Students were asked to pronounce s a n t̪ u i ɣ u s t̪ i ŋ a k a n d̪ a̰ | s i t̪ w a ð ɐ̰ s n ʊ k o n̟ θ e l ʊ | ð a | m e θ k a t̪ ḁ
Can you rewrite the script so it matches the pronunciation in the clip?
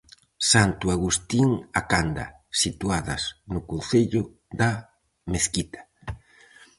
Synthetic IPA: s a n t̪ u a ɣ u s t̪ i ŋ a k a n d̪ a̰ | s i t̪ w a ð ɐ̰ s n ʊ k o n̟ θ e ʎ ʊ | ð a | m e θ k i t̪ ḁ

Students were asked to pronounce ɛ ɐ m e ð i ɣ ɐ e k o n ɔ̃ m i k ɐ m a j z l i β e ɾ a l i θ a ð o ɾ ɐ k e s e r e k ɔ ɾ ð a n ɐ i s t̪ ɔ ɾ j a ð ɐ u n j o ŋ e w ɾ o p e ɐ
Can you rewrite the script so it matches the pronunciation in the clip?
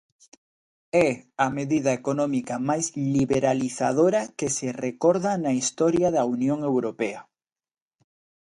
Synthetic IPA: ɛ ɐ m e ð i ð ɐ e k o n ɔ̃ m i k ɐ m a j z l i β e ɾ a l i θ a ð o ɾ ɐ k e s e r e k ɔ ɾ ð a n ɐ i s t̪ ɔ ɾ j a ð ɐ u n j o ŋ e w ɾ o p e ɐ

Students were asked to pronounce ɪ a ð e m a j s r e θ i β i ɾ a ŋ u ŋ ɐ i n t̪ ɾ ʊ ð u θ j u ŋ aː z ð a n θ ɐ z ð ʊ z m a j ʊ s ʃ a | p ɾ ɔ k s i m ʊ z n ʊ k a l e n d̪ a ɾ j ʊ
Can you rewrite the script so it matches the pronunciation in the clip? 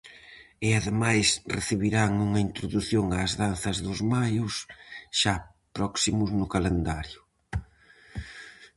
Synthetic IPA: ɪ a ð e m a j s r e θ i β i ɾ a ŋ u ŋ ɐ i n t̪ ɾ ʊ ð u θ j o ŋ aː z ð a n θ ɐ z ð ʊ z m a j ʊ s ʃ a | p ɾ ɔ k s i m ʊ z n ʊ k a l e n d̪ a ɾ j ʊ

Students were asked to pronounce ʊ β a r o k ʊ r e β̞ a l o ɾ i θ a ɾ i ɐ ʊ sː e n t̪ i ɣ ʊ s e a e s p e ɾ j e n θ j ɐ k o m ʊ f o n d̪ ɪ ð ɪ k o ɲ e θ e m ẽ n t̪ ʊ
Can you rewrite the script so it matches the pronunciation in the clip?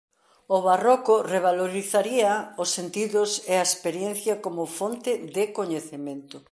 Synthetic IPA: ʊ β a r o k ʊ r e β̞ a l o ɾ i θ a ɾ i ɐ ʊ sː e n t̪ i ð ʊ s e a e s p e ɾ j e n θ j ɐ k o m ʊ f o n t̪ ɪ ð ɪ k o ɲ e θ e m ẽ n t̪ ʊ

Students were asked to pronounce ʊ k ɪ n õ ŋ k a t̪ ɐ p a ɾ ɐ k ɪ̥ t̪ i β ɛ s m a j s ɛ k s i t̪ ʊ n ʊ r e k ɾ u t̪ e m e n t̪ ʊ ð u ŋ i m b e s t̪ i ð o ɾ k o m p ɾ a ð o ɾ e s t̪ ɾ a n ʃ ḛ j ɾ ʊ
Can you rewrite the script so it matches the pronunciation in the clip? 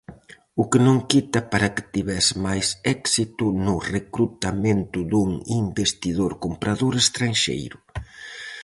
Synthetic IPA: ʊ k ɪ n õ ŋ k i t̪ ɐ p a ɾ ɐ k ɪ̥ t̪ i β ɛ s m a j s ɛ k s i t̪ ʊ n ʊ r e k ɾ u t̪ a m e n t̪ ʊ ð u ŋ i m b e s t̪ i ð o ɾ k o m p ɾ a ð o ɾ e s t̪ ɾ a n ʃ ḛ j ɾ ʊ

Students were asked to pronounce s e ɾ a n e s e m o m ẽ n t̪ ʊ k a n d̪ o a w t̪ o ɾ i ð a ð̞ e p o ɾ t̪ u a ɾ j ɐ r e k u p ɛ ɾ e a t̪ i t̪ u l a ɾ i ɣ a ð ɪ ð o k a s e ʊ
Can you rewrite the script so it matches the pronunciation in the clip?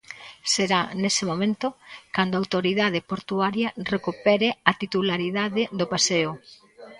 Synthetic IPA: s e ɾ a n e s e m o m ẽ n t̪ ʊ k a n d̪ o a w t̪ o ɾ i ð a ð̞ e p o ɾ t̪ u a ɾ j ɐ r e k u p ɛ ɾ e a t̪ i t̪ u l a ɾ i ð a ð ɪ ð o p a s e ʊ

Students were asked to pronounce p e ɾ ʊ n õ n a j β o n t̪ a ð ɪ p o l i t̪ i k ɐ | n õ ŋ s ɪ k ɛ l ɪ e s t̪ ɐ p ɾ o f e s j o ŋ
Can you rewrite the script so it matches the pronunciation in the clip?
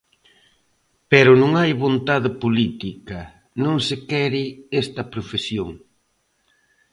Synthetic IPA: p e ɾ ʊ n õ ŋ a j β o n t̪ a ð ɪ p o l i t̪ i k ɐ | n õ ŋ s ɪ k ɛ ɾ ɪ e s t̪ ɐ p ɾ o f e s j o ŋ

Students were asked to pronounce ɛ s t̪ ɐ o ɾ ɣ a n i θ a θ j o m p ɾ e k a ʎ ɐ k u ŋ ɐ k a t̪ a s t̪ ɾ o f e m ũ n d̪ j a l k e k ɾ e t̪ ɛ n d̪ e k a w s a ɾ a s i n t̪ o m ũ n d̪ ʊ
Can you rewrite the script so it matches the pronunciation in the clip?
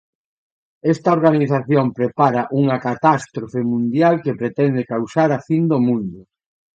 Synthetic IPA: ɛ s t̪ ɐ o ɾ ɣ a n i θ a θ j o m p ɾ e p a ɾ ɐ ʔ u ŋ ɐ k a t̪ a s t̪ ɾ o f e m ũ n d̪ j a l k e p ɾ e t̪ ɛ n d̪ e k a w s a ɾ a f i n d̪ o m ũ n d̪ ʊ

